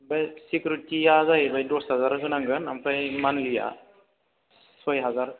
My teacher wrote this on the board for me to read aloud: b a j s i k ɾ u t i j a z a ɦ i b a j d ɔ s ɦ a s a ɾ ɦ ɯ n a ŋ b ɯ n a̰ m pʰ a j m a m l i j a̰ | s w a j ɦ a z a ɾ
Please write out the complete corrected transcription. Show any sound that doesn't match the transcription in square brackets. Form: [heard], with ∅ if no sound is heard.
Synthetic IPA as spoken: b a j s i k ɾ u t i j a z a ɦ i b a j d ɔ s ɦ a [z] a ɾ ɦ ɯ n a ŋ [ɡ] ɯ n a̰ m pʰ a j m a [n] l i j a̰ | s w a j ɦ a z a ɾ